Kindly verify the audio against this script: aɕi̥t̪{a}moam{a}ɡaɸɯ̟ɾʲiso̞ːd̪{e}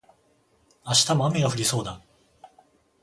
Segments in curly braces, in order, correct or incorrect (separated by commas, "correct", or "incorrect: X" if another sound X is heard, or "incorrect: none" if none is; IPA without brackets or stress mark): correct, incorrect: e, incorrect: a